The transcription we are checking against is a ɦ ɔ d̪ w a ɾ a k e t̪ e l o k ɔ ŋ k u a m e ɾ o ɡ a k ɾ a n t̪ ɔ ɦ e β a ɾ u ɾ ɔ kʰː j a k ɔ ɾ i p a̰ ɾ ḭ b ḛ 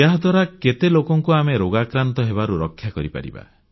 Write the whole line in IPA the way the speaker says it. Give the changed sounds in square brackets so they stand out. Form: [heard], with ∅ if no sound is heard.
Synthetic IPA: a ɦ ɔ d̪ w a ɾ a k e t̪ e l o k ɔ ŋ k u a m e ɾ o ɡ a k ɾ a n t̪ ɔ ɦ e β a ɾ u ɾ ɔ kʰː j a k ɔ ɾ i p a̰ ɾ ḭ b [a̰]